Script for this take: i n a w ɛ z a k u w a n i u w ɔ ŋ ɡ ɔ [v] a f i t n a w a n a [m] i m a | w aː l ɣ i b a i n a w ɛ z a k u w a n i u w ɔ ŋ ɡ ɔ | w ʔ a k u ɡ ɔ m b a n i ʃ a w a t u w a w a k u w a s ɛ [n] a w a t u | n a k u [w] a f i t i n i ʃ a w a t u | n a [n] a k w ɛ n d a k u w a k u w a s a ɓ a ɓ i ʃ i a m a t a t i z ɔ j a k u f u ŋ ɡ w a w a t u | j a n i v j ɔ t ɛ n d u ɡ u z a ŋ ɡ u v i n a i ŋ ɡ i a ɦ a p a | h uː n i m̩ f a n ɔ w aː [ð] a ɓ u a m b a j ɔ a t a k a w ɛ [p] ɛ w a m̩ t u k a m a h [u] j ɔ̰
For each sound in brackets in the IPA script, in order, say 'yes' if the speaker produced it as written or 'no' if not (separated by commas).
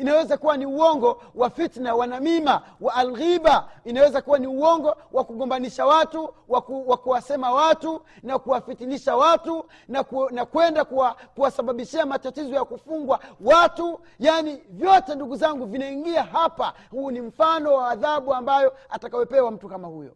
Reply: no, yes, no, yes, yes, yes, yes, yes